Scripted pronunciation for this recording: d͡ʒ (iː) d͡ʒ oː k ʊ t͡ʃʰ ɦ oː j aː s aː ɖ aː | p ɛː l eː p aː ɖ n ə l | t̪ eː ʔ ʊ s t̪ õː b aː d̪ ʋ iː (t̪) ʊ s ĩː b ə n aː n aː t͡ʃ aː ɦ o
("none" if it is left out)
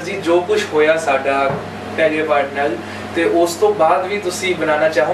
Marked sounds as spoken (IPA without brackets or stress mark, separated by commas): iː, t̪